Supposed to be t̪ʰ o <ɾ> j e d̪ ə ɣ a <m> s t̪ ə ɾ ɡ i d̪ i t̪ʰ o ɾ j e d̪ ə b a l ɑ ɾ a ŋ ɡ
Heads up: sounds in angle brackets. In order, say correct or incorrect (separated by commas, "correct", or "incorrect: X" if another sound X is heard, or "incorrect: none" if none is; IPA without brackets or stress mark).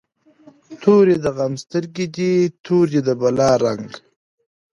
correct, correct